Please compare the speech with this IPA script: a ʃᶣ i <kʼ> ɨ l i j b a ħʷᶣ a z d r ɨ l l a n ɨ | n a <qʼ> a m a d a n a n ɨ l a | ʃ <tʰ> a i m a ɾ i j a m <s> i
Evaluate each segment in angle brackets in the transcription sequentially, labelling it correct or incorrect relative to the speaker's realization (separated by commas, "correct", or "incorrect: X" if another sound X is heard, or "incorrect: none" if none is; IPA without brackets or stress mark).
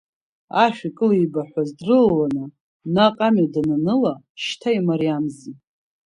correct, correct, correct, incorrect: z